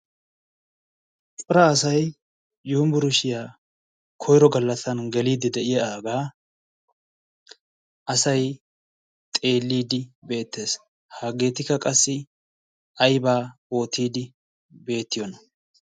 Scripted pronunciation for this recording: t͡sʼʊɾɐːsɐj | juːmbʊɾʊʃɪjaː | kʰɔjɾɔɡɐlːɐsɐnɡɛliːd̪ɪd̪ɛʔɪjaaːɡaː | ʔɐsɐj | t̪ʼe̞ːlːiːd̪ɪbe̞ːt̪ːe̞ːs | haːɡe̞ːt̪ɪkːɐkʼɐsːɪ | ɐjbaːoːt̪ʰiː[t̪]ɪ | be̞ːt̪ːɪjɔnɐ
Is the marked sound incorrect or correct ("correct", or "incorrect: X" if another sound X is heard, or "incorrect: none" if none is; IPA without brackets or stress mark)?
incorrect: d̪